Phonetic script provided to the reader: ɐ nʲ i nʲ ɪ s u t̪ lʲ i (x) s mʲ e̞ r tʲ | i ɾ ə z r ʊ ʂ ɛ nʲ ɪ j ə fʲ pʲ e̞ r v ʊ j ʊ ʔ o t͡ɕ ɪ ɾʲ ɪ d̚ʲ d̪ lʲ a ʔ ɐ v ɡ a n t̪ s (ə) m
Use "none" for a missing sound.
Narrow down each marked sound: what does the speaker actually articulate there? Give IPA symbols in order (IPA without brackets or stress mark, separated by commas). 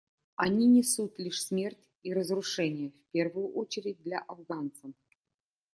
ʂ, ə